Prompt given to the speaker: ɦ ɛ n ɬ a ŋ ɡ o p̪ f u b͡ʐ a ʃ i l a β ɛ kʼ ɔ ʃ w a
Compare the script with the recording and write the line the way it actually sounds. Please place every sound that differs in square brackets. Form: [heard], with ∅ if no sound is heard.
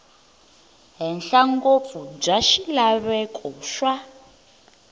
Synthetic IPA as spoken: ɦ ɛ n ɬ a ŋ ɡ o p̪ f u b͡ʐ a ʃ i l a β ɛ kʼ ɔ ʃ w a